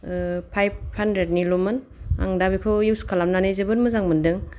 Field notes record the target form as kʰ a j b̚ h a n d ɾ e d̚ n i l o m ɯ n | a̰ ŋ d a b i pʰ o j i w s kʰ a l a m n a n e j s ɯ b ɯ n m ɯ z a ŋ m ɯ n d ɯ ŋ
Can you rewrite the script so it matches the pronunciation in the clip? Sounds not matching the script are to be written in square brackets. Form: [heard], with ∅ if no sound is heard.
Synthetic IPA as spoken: [pʰ] a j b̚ h a n d ɾ e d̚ n i l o m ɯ n | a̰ ŋ d a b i [kʰ] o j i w s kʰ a l a m n a n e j [z] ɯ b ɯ n m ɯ z a ŋ m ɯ n d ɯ ŋ